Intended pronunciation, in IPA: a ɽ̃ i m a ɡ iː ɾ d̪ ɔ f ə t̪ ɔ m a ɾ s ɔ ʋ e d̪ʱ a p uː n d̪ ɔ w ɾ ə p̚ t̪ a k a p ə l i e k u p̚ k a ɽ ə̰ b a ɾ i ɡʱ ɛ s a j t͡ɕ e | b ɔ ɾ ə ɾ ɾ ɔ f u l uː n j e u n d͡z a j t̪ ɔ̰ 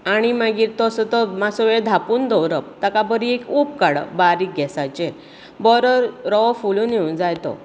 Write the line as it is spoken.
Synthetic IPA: a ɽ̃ i m a ɡ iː ɾ t̪ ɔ s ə t̪ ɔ m a s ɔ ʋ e d̪ʱ a p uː n d̪ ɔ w ɾ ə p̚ t̪ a k a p ə ɾ i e k u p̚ k a ɽ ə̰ b a ɾ i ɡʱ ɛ s a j t͡ɕ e | b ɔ ɾ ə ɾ ɾ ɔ f u l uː n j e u n d͡z a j t̪ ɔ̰